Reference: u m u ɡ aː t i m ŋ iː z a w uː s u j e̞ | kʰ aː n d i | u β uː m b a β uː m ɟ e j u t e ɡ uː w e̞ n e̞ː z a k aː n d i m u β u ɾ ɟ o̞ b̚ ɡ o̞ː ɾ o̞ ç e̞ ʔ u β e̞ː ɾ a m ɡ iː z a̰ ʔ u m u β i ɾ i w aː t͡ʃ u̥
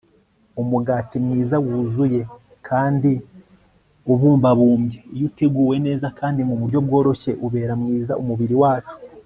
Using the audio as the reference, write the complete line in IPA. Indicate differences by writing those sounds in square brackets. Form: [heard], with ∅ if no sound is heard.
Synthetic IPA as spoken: u m u ɡ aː t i m ŋ iː z a w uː [z] u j e̞ | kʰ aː n d i | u β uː m b a β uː m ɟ e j u t e ɡ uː w e̞ n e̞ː z a k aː n d i m u β u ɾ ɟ o̞ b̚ ɡ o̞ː ɾ o̞ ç e̞ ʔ u β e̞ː ɾ a m [ŋ] iː z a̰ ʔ u m u β i ɾ i w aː t͡ʃ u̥